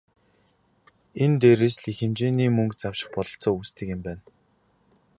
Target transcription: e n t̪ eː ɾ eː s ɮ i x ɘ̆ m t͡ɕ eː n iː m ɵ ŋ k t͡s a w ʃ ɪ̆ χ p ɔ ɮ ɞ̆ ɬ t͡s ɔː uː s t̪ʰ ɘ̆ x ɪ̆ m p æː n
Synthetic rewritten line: e n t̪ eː ɾ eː s ɮ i x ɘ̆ m t͡ɕ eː n iː m ɵ ŋ k t͡s a w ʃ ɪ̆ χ p ɔ ɮ ɞ̆ ɬ t͡s ɔː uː s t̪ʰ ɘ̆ k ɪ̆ m p æː n

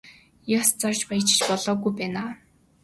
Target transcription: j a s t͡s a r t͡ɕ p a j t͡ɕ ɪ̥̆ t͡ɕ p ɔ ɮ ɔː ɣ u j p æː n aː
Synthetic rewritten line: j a s t͡s a r t͡ɕ p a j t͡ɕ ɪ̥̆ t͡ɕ p ɔ ɮ ɔː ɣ u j p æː n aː

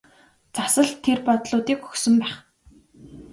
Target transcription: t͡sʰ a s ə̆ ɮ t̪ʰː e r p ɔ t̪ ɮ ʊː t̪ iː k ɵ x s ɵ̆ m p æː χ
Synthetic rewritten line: t͡s a s ə̆ ɮ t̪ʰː e r p ɔ t̪ ɮ ʊː t̪ iː k ɵ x s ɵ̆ m p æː χ

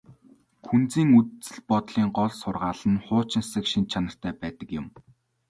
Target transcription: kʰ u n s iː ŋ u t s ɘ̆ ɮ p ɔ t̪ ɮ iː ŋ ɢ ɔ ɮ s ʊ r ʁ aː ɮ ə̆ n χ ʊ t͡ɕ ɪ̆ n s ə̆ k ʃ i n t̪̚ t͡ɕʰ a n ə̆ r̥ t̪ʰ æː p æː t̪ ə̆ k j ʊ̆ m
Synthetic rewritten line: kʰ u n t͡s iː ŋ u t t͡s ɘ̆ ɮ p ɔ t̪ ɮ iː ŋ ɢ ɔ ɮ s ʊ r ʁ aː ɮ ə̆ n χ ʊː t͡ɕ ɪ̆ n s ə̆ k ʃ i n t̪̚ t͡ɕʰ a n ə̆ r̥ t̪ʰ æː p æː t̪ ə̆ k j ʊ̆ m

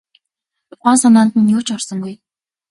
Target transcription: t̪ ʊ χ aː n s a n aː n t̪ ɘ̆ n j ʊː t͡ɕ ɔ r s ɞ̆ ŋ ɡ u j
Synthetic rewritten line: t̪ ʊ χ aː n s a n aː n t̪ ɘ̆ n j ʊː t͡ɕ ɔ r s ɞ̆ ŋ ɡ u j

